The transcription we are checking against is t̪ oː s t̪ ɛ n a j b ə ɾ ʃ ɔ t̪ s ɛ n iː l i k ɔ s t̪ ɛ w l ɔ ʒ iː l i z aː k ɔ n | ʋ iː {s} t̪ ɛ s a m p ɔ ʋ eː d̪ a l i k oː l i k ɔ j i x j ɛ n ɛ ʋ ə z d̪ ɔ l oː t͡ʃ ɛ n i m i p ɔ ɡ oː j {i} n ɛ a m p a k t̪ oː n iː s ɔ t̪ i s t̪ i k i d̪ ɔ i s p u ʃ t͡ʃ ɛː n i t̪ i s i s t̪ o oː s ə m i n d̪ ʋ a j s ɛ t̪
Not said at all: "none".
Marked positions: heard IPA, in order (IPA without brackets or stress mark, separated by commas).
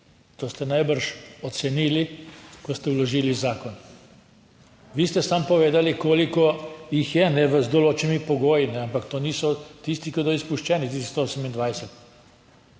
s, i